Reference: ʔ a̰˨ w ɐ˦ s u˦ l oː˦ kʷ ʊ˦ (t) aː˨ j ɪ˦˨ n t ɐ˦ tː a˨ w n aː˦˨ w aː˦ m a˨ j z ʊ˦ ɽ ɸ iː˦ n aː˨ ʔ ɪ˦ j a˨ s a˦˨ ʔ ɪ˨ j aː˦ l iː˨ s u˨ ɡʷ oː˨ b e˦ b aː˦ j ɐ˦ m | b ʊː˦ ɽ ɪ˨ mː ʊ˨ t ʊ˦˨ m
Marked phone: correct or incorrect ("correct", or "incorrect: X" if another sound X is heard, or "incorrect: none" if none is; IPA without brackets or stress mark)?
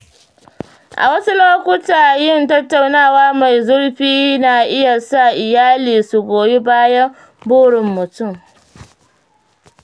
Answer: correct